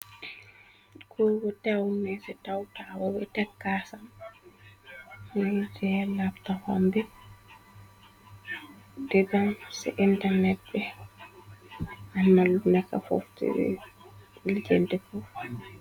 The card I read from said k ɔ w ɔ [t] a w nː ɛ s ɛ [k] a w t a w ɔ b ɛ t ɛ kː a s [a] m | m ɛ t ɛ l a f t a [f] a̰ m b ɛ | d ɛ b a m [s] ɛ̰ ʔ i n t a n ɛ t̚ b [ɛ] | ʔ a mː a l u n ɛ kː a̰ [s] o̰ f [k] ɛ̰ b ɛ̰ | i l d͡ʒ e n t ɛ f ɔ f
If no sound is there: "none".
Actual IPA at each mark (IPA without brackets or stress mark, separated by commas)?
t, t, a, f, s, ɛ, f, t